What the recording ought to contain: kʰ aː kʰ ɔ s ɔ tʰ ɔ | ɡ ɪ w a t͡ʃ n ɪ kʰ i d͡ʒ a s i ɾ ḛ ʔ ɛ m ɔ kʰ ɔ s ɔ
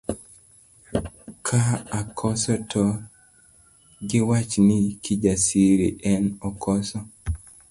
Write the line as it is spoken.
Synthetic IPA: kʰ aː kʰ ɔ s ɔ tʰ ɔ | ɡ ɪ w a t͡ʃ n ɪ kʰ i d͡ʒ a s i ɾ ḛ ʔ ɛ n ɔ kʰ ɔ s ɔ